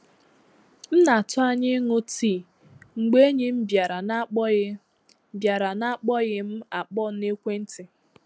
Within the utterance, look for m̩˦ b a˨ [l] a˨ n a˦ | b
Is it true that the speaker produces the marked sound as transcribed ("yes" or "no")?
no